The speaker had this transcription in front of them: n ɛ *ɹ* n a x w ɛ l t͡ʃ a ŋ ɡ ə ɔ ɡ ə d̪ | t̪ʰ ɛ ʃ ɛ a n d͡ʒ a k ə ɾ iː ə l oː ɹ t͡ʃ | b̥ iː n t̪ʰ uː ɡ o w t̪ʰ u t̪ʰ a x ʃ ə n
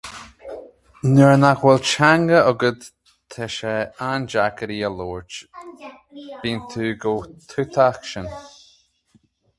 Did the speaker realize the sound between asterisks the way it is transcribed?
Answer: yes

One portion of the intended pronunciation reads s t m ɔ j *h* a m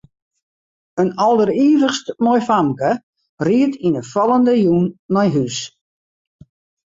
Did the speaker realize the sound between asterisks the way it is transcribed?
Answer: no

